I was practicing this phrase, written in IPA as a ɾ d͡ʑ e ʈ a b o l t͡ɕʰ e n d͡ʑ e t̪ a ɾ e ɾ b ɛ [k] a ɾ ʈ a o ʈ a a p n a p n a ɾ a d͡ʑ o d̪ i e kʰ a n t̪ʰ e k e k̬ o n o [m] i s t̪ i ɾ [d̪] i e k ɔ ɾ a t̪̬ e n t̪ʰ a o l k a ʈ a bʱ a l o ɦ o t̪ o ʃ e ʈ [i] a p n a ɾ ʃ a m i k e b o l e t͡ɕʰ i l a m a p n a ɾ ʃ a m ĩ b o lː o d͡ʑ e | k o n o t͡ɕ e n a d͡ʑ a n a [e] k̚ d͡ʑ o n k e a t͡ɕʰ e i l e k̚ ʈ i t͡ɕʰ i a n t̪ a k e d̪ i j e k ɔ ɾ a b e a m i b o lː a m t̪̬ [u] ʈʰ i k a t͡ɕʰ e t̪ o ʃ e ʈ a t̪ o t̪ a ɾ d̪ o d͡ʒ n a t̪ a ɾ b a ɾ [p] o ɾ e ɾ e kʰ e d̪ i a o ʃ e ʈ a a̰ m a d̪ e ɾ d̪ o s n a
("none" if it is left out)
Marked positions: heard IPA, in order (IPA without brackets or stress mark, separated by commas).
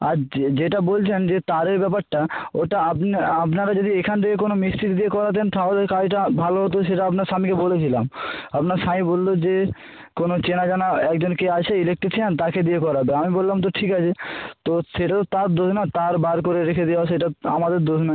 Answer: p, m, d̪, a, ɛ, o, k